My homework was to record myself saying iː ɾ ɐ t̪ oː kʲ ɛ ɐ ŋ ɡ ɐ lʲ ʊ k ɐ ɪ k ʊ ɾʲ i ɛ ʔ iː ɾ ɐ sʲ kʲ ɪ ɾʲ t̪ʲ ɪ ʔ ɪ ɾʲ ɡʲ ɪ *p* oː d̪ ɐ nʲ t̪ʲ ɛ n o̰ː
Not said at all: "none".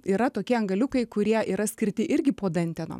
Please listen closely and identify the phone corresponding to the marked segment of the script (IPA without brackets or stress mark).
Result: p